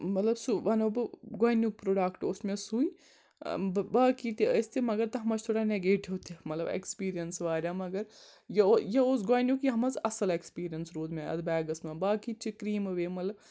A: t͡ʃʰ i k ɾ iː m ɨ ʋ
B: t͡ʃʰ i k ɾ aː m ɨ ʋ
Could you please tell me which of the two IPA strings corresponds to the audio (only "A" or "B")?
A